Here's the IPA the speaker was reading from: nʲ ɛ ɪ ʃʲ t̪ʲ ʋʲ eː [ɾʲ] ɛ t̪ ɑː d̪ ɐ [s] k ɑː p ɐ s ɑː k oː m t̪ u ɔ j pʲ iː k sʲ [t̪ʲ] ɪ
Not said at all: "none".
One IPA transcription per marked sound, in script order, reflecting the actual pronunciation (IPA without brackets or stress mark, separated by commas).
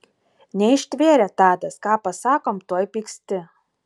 ɾʲ, s, t̪ʲ